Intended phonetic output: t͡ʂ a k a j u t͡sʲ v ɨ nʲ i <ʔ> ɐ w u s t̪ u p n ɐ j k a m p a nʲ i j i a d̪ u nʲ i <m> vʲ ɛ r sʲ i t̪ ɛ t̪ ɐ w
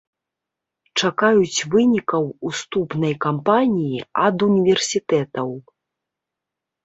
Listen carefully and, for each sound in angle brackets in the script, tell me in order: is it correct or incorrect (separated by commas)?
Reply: incorrect, incorrect